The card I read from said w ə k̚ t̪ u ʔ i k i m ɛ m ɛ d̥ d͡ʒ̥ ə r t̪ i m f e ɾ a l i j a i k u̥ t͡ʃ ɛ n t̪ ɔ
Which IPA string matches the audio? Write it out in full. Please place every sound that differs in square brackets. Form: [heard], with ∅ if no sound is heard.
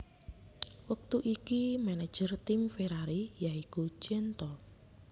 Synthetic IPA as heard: w ə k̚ t̪ u ʔ i k i m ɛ [n] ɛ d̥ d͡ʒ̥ ə r t̪ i m f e ɾ a [ɾ] i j a i k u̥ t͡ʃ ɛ n t̪ ɔ